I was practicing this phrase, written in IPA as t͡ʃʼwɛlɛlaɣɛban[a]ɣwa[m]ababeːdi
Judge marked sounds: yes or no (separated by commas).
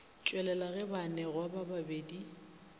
no, no